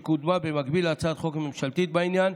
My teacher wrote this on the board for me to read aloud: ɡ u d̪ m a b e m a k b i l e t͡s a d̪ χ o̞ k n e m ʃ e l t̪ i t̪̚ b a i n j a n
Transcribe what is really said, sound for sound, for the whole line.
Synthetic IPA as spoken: k u d̪ m a b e m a k b i l a t͡s a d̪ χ o̞ k m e m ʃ a l t̪ i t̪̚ b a i n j a n